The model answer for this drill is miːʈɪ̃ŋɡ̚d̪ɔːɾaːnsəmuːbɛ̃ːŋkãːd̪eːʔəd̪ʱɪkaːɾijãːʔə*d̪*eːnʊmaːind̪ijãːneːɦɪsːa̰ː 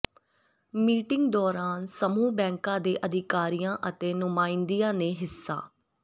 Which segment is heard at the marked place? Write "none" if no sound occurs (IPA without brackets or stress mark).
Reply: t̪